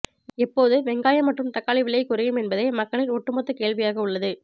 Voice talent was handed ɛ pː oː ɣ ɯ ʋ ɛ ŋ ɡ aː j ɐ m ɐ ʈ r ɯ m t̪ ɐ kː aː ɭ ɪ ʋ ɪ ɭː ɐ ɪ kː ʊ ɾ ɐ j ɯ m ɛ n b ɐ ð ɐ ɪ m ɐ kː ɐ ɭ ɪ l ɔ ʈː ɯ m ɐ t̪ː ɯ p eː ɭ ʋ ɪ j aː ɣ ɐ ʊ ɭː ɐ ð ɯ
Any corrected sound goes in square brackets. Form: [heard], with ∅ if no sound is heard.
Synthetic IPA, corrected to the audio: ɛ pː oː [ð] ɯ ʋ ɛ ŋ ɡ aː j ɐ m ɐ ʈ r ɯ m t̪ ɐ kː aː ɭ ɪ ʋ ɪ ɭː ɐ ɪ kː ʊ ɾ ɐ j ɯ m ɛ n b ɐ ð ɐ ɪ m ɐ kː ɐ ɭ ɪ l ɔ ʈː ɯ m ɐ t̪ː ɯ [k] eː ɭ ʋ ɪ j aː ɣ ɐ ʊ ɭː ɐ ð ɯ